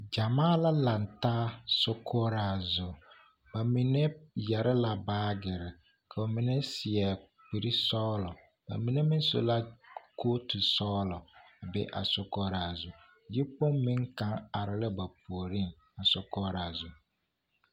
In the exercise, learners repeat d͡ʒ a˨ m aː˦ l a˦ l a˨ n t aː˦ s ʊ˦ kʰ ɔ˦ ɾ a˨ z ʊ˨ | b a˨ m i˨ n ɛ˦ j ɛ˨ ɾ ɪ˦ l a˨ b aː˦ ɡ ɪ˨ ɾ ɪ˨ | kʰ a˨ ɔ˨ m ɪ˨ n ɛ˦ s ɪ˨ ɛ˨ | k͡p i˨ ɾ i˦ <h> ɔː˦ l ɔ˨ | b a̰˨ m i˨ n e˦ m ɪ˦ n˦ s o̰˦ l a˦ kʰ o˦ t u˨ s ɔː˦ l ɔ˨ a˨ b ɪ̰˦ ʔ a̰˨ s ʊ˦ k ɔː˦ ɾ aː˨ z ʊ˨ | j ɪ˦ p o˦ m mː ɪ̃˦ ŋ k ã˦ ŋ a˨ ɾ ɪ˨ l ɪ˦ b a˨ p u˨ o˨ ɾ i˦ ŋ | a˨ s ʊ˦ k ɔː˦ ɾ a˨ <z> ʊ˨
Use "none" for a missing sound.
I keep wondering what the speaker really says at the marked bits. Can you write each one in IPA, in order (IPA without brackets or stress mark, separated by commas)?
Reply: s, z